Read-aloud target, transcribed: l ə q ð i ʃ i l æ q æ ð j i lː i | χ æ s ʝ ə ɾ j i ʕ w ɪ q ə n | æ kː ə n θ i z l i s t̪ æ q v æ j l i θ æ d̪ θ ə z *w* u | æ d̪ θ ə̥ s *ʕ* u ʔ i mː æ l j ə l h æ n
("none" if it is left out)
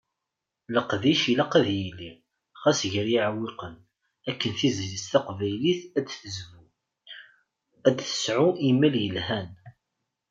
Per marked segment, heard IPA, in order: v, ʕ

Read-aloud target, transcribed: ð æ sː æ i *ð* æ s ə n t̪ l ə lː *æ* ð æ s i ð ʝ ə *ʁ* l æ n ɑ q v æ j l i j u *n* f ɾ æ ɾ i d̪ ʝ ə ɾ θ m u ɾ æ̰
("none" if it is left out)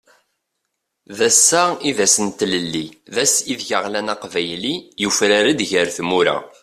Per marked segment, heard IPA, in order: ð, i, ʁ, none

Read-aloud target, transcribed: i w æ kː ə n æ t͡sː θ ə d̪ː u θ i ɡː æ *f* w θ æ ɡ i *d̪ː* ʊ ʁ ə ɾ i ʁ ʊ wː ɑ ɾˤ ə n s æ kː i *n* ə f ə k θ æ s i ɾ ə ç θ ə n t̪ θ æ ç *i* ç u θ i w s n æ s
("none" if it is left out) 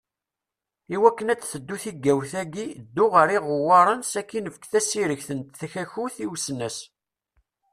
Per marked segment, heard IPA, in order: none, d̪ː, n, æ

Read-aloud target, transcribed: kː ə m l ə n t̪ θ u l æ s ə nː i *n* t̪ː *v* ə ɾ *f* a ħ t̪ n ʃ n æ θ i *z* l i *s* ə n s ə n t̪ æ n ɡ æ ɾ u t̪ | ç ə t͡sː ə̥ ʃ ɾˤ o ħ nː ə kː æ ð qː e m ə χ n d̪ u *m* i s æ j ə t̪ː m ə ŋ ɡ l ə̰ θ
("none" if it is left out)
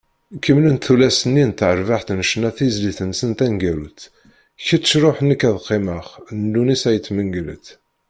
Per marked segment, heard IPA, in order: n, ʕ, v, z, θ, n

